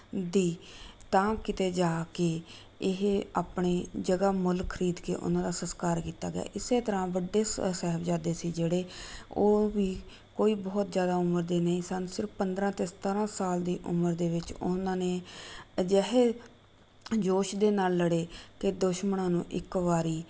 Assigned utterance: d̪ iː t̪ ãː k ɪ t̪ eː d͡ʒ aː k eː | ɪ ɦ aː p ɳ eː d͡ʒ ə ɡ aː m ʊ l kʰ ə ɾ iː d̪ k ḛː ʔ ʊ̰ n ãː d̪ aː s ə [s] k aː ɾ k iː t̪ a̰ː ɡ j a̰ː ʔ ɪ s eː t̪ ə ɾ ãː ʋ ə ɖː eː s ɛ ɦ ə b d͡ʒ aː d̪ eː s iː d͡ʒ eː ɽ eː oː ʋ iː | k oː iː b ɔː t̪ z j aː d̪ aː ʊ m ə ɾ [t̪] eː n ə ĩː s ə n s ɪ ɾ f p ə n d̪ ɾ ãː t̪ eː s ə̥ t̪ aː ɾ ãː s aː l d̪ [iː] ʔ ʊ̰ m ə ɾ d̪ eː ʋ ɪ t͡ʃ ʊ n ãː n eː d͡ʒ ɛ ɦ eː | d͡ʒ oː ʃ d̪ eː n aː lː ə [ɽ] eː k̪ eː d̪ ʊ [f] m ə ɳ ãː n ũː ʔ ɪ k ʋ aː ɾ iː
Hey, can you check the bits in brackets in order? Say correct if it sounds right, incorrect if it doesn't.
correct, incorrect: d̪, correct, correct, incorrect: ʃ

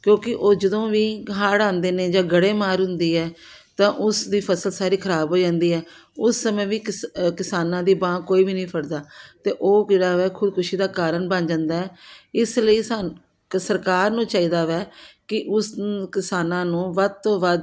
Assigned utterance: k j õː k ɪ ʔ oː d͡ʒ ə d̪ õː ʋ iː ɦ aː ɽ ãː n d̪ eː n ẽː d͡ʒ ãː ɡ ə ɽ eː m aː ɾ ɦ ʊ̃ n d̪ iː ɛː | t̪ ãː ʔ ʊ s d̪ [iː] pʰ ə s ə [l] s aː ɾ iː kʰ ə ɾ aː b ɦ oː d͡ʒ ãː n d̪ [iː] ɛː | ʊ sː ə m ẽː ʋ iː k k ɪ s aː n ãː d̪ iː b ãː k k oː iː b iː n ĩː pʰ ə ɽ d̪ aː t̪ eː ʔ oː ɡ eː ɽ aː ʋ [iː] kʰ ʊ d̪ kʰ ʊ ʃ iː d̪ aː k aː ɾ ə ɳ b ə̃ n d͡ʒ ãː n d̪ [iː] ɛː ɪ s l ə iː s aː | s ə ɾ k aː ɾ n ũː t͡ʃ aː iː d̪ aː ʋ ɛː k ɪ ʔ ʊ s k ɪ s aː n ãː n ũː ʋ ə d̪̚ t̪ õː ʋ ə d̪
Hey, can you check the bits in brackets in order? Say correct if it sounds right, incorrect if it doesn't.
correct, correct, correct, incorrect: ɛː, incorrect: aː

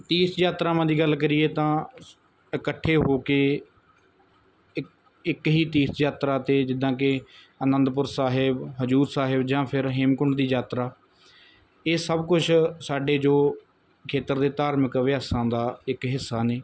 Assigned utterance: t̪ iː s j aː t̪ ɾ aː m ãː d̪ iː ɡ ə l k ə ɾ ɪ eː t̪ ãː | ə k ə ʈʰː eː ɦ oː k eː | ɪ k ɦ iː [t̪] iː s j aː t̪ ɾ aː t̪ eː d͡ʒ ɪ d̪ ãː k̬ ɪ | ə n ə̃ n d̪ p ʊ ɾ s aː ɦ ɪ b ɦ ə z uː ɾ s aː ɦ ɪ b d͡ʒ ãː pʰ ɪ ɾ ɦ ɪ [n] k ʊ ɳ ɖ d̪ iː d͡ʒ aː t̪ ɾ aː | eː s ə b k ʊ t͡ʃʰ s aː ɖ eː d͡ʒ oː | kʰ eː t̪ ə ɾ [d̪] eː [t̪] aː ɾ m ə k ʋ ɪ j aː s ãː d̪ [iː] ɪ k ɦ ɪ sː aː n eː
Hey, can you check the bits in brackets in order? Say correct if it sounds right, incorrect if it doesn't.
correct, incorrect: m, correct, correct, incorrect: aː

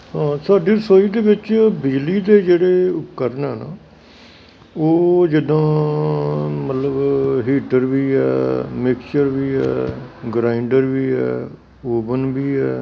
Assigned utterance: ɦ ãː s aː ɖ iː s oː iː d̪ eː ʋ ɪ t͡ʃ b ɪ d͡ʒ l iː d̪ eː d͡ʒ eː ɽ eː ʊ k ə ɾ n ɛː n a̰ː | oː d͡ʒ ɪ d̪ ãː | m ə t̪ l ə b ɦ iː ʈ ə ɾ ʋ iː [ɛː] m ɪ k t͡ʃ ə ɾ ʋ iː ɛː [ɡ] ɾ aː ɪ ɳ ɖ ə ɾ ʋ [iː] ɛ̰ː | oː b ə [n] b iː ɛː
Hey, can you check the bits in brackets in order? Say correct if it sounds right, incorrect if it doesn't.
correct, correct, correct, correct

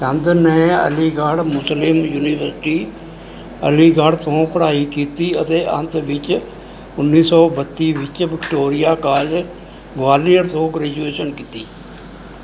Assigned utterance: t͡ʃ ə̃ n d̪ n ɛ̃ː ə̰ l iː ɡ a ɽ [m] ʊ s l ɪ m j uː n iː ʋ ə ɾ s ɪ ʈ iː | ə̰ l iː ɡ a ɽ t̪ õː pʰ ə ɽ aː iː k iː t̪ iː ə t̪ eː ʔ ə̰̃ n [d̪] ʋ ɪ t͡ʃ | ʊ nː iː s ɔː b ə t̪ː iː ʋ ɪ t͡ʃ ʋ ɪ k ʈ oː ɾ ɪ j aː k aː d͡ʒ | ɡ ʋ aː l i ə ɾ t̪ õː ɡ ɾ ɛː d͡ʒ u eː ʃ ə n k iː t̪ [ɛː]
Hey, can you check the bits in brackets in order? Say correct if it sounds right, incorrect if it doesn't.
correct, incorrect: t̪, incorrect: iː

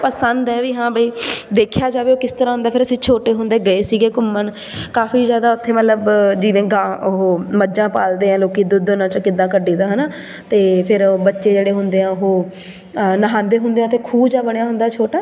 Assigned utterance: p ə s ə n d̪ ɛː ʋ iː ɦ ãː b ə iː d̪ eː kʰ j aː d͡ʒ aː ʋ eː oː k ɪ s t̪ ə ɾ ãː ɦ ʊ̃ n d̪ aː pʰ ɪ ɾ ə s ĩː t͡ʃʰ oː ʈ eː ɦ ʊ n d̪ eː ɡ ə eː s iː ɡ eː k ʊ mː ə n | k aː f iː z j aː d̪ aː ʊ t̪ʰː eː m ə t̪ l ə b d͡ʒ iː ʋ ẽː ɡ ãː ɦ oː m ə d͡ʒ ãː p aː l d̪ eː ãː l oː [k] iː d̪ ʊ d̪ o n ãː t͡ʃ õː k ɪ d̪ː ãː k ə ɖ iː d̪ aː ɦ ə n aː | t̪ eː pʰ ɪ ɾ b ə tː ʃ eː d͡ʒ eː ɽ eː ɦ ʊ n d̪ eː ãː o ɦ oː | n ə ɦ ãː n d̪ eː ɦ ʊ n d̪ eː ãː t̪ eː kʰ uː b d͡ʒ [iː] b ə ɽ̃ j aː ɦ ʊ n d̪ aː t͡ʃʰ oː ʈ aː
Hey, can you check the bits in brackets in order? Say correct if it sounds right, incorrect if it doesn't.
correct, incorrect: aː

